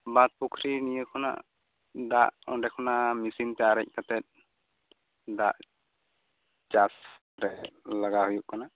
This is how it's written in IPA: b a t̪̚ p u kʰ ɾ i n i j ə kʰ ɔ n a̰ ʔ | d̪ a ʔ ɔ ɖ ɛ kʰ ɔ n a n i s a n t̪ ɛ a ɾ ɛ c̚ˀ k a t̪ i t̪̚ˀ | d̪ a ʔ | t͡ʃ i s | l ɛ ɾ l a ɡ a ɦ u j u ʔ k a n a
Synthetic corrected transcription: b a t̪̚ p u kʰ ɾ i n i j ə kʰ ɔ n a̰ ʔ | d̪ a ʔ ɔ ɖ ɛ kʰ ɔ n a m i s i n t̪ ɛ a ɾ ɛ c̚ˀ k a t̪ ɛ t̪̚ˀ | d̪ a ʔ | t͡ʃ a s | ɾ ɛ l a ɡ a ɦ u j u ʔ k a n a